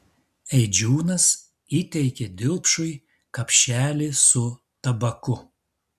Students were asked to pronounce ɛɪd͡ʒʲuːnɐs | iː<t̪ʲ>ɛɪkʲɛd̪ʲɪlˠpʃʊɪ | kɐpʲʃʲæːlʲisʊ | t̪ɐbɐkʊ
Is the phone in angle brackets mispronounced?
no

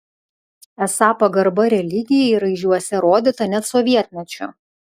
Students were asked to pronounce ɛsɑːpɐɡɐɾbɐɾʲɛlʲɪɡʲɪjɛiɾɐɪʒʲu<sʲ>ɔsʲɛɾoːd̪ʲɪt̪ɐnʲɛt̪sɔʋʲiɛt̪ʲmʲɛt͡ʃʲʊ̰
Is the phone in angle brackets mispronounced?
yes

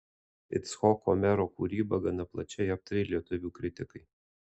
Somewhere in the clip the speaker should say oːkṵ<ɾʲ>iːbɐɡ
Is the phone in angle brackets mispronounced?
no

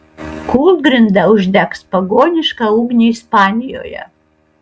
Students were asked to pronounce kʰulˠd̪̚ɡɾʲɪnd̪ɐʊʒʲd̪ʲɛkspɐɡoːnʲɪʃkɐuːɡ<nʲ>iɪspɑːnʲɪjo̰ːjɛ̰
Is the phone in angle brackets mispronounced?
no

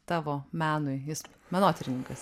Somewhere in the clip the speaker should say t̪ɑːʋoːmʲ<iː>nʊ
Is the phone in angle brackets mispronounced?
yes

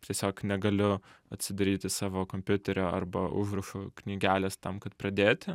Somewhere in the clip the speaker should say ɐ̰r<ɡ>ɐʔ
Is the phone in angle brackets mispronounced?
yes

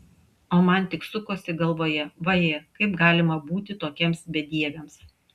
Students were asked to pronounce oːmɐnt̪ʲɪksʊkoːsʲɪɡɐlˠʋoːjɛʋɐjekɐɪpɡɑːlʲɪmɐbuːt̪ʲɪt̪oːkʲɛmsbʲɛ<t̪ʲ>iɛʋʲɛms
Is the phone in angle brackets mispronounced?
yes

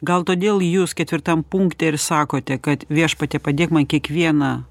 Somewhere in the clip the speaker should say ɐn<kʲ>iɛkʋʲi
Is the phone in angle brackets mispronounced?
no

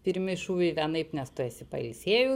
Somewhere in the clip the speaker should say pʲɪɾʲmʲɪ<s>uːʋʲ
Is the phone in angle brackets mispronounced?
yes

